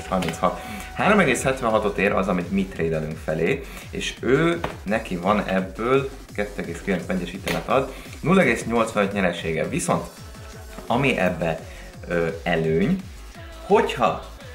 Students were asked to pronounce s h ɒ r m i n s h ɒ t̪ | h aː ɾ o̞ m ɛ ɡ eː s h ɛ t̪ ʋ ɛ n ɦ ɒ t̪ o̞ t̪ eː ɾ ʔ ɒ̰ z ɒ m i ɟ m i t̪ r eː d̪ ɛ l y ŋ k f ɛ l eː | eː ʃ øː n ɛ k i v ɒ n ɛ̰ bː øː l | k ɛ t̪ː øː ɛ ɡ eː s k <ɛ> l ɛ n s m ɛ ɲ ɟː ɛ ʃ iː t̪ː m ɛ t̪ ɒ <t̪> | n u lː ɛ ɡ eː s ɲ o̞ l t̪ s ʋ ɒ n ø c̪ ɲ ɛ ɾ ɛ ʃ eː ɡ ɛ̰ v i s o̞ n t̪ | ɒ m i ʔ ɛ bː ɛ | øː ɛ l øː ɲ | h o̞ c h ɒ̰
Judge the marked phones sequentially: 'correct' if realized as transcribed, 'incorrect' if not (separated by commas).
incorrect, incorrect